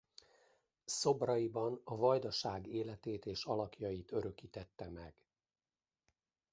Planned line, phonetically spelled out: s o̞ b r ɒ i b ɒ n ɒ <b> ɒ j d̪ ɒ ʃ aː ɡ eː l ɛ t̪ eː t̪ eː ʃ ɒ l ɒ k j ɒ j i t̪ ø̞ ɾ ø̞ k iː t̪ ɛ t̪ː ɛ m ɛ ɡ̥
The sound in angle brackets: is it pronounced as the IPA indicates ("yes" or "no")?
no